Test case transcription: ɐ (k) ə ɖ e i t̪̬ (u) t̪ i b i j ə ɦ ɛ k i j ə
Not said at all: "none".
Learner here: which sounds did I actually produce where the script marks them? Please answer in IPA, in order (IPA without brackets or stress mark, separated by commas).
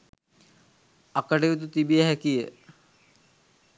k, u